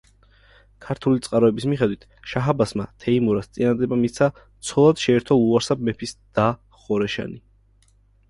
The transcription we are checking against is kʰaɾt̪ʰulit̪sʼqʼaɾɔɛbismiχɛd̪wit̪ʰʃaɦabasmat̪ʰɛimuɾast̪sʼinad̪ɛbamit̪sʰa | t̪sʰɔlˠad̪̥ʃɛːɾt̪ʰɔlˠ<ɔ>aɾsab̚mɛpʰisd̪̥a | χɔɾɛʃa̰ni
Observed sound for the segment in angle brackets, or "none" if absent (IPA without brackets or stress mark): u